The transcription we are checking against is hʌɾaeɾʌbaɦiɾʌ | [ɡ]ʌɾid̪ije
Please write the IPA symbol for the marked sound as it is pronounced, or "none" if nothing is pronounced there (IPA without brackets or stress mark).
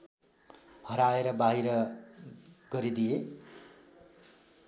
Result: ɡ